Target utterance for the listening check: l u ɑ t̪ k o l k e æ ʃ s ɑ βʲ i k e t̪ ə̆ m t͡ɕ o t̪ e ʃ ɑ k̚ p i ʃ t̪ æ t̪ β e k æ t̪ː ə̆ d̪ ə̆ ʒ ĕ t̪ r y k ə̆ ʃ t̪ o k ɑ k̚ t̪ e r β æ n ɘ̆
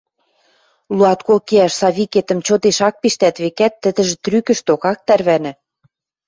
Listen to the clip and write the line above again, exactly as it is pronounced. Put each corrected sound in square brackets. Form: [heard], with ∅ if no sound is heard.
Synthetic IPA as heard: l u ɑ t̪ k o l k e æ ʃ s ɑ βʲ i k e t̪ ə̆ m t͡ɕ o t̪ e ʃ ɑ k̚ p i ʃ t̪ æ t̪ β e k æ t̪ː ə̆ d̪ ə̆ ʒ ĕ t̪ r y k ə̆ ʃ t̪ o k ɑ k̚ t̪ [æ] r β æ n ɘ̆